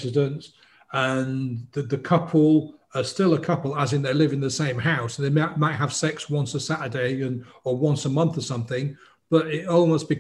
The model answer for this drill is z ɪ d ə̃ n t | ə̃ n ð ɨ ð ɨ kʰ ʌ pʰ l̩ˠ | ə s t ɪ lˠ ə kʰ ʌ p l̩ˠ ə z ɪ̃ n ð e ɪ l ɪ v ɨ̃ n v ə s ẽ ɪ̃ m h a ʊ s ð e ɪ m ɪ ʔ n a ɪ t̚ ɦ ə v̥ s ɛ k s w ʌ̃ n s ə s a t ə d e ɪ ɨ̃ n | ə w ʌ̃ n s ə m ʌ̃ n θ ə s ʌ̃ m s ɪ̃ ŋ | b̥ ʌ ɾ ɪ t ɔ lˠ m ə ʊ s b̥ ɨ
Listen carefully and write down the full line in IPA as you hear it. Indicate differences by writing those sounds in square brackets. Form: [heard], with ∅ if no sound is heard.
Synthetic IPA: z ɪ d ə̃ n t | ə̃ n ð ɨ ð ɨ kʰ ʌ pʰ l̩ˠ | ə s t ɪ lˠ ə kʰ ʌ p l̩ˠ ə z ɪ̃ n ð e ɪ l ɪ v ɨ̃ n [ð] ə s ẽ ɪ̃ m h a ʊ s ð e ɪ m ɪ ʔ [m] a ɪ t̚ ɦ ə v̥ s ɛ k s w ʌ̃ n s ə s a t ə d e ɪ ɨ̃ n | ə w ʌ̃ n s ə m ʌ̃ n θ ə s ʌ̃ m [θ] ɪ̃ ŋ | b̥ ʌ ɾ ɪ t ɔ lˠ m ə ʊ s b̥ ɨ